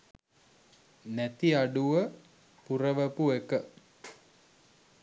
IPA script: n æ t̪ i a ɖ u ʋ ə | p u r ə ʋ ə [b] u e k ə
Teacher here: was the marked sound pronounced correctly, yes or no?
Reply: no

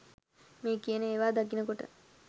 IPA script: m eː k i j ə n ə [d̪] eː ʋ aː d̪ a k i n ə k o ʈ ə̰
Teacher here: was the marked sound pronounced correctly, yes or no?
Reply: no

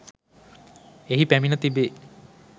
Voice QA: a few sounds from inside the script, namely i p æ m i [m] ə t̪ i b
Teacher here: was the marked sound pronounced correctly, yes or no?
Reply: no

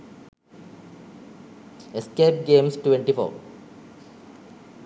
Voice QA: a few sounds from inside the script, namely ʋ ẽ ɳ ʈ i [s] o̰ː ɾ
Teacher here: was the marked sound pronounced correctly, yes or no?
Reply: no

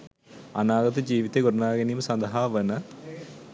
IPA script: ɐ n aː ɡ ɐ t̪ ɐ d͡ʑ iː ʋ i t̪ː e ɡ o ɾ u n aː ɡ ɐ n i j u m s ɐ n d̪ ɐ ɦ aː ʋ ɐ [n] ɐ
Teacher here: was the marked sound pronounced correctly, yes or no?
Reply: yes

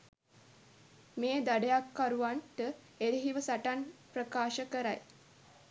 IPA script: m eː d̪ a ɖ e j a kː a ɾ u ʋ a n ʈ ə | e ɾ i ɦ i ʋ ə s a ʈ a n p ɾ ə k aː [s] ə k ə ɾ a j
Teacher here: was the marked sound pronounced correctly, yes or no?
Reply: no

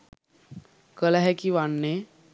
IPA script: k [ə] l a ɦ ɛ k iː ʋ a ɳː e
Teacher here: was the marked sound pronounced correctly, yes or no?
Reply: yes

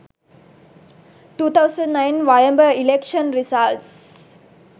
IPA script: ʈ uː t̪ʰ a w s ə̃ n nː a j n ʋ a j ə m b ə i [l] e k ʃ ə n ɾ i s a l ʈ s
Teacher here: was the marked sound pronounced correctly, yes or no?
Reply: yes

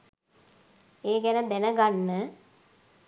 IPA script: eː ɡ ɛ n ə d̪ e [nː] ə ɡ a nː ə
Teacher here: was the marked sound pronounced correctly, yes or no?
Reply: no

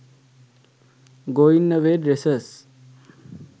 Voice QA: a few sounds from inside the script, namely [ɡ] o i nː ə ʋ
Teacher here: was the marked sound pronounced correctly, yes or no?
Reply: yes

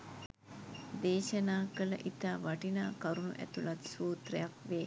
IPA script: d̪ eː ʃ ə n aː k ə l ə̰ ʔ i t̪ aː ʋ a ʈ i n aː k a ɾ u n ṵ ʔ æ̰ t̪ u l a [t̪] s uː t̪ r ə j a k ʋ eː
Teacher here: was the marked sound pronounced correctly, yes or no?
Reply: yes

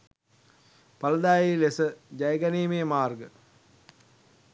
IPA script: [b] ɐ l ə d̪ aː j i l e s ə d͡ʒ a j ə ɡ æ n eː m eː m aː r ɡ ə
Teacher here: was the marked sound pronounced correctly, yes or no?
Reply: no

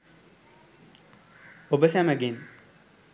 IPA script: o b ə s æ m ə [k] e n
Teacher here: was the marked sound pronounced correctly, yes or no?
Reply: no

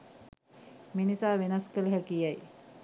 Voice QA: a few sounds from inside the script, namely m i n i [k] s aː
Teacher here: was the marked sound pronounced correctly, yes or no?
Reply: no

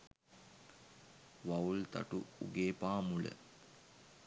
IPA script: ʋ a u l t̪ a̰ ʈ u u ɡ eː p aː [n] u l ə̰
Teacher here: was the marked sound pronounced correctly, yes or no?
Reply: no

